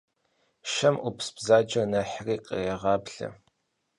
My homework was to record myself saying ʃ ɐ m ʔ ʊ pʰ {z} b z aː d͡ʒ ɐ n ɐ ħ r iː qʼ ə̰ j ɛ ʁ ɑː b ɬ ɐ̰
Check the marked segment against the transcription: incorrect: s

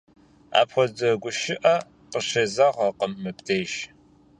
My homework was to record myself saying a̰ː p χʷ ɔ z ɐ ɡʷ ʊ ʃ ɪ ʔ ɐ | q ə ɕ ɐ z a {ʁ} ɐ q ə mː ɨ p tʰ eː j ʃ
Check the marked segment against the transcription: correct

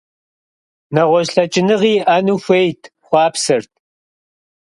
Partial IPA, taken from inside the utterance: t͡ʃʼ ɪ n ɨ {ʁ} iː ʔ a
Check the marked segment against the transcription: correct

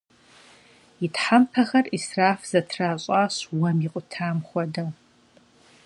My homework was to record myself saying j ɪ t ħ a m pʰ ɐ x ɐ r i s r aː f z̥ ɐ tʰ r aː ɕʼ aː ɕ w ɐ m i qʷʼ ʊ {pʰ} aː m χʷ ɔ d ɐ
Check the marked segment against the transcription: incorrect: tʰ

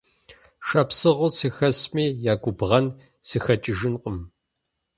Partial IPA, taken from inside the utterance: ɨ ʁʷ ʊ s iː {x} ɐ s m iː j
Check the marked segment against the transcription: correct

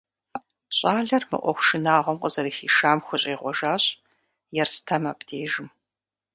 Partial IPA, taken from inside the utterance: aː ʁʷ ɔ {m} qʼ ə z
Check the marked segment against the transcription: correct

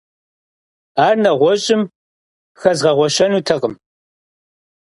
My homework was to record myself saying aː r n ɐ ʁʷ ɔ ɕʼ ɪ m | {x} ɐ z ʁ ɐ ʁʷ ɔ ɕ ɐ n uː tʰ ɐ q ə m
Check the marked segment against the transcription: correct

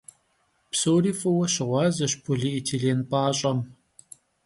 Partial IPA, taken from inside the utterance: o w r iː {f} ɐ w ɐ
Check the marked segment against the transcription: correct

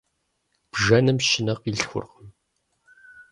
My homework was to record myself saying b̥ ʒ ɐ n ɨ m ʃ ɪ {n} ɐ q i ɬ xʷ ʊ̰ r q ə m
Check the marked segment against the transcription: correct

